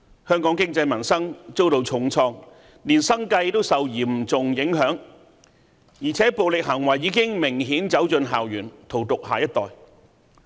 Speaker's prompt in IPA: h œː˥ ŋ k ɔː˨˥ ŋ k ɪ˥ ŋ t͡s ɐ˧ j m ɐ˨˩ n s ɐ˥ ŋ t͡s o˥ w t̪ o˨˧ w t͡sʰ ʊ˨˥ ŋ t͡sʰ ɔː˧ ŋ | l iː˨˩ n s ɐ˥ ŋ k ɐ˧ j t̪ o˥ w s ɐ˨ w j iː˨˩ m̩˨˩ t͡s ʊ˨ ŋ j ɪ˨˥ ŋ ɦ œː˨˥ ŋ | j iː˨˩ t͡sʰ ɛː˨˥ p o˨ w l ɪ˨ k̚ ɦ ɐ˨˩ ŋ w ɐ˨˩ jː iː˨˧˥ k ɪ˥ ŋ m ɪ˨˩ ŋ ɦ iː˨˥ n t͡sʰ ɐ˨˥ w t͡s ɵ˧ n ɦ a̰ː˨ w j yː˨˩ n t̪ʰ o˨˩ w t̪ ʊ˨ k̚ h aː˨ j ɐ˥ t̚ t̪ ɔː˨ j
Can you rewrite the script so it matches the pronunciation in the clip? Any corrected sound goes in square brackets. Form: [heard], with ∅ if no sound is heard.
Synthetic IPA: h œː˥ ŋ k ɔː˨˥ ŋ k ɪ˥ ŋ t͡s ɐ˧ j m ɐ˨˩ n s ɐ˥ ŋ t͡s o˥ w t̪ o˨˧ w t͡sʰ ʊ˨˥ ŋ t͡sʰ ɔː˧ ŋ | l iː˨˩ n s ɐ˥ ŋ k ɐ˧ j t̪ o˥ w s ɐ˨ w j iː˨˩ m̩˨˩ t͡s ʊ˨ ŋ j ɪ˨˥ ŋ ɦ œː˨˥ ŋ | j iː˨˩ t͡sʰ ɛː˨˥ p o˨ w l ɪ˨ k̚ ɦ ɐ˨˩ ŋ w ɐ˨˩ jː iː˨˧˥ k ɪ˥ ŋ m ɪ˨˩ ŋ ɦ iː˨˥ n [t͡s] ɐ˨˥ w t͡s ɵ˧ n ɦ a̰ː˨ w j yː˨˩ n t̪ʰ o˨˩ w t̪ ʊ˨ k̚ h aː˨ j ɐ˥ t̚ t̪ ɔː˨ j